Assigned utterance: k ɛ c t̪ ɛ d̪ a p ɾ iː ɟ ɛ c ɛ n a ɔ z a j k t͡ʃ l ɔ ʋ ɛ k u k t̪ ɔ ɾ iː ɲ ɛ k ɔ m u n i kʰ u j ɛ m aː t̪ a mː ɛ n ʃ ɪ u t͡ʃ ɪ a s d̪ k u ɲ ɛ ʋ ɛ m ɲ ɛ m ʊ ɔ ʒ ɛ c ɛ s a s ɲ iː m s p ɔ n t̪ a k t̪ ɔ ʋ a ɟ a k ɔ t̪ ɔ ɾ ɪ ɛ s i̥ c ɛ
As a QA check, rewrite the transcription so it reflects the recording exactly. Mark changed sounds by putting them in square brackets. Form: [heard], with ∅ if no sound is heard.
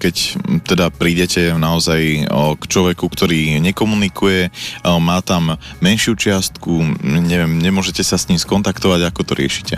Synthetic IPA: k ɛ c t̪ ɛ d̪ a p ɾ iː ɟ ɛ c ɛ n a ɔ z a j k t͡ʃ l ɔ ʋ ɛ k u k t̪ ɔ ɾ iː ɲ ɛ k ɔ m u n i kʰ u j ɛ m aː t̪ a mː ɛ n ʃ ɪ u t͡ʃ ɪ a s [t̪] k u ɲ ɛ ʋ ɛ m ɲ ɛ m ʊ ɔ ʒ ɛ c ɛ s a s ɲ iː m s [k] ɔ n t̪ a k t̪ ɔ ʋ a ɟ a k ɔ t̪ ɔ ɾ ɪ ɛ [ʃ] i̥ c ɛ